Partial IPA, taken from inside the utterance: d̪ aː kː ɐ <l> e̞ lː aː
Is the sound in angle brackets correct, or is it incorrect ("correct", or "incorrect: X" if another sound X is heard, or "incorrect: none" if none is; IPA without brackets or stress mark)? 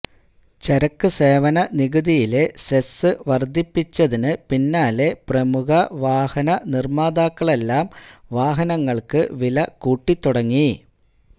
incorrect: ɭ